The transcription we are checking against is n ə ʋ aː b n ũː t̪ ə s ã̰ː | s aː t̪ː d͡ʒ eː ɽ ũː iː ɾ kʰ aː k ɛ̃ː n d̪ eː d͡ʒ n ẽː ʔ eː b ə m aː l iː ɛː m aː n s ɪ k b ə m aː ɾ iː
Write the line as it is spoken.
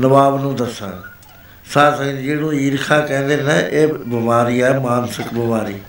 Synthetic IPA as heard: n ə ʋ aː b n ũː d̪ ə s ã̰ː | s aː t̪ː d͡ʒ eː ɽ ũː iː ɾ kʰ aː k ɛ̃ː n d̪ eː n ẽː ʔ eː b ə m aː ɾ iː ɛː m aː n s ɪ k b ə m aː ɾ iː